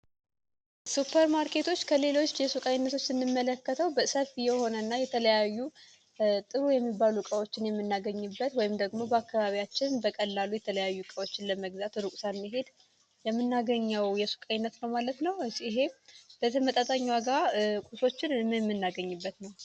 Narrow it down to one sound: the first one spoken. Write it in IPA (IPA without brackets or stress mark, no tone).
s